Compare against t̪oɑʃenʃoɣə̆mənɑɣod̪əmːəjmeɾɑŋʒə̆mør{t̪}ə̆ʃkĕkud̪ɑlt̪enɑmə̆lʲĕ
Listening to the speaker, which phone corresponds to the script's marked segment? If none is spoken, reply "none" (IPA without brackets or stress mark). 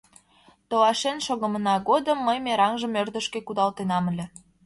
d̪